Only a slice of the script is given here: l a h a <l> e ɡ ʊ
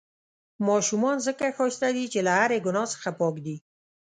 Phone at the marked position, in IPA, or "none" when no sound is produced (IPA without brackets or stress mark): ɾ